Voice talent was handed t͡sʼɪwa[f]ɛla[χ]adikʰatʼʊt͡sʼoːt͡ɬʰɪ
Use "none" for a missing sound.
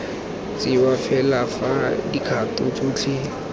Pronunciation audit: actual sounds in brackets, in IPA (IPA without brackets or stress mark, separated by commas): f, f